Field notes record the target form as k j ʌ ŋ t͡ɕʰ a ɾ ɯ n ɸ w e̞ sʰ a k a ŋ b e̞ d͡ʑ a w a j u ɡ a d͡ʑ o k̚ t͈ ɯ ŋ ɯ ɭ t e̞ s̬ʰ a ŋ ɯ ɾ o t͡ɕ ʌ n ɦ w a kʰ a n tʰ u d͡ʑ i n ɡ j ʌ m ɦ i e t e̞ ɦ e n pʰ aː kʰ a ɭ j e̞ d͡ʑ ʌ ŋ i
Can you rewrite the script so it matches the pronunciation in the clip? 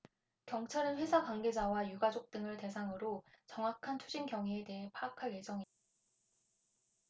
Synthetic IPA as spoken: k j ʌ ŋ t͡ɕʰ a ɾ ɯ n ɸ w e̞ sʰ a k a ŋ ɡ e̞ d͡ʑ a w a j u ɡ a d͡ʑ o k̚ t͈ ɯ ŋ ɯ ɭ t e̞ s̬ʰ a ŋ ɯ ɾ o t͡ɕ ʌ ŋ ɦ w a kʰ a n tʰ u d͡ʑ i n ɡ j ʌ ŋ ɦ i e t e̞ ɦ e n pʰ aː kʰ a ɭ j e̞ d͡ʑ ʌ ŋ i